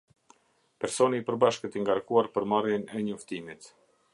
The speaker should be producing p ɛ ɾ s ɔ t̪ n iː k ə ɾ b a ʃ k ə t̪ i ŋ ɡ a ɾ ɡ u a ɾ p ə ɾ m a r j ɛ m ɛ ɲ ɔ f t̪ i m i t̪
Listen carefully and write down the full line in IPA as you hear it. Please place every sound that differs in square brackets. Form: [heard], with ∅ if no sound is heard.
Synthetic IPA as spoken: p ɛ ɾ s ɔ [∅] n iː [p] ə ɾ b a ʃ k ə t̪ i ŋ ɡ a ɾ [k] u a ɾ p ə ɾ m a r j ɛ [n] ɛ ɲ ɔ f t̪ i m i t̪